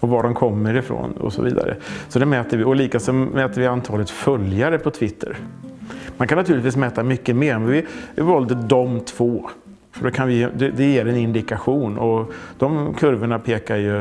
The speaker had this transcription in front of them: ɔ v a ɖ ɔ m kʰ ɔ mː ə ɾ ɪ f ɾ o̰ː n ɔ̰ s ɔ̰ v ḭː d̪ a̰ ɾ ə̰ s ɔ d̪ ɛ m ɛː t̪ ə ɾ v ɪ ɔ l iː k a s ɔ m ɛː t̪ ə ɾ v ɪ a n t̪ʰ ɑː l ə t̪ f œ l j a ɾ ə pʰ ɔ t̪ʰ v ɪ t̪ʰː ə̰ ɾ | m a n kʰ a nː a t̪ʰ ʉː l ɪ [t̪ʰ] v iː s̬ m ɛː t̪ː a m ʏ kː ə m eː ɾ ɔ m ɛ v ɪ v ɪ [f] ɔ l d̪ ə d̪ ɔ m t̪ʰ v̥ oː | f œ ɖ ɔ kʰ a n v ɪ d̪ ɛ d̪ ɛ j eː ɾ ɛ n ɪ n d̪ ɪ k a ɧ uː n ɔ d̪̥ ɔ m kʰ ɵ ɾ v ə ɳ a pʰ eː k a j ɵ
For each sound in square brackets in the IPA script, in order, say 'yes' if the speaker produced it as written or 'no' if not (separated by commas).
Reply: no, no